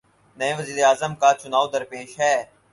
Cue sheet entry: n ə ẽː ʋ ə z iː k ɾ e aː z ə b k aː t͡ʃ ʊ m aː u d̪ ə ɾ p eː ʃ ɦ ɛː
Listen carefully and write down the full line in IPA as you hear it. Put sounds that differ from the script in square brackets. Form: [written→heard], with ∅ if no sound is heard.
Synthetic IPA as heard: n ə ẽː ʋ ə z iː [k→∅] ɾ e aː z ə [b→m] k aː t͡ʃ ʊ [m→n] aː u d̪ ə ɾ p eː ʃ ɦ ɛː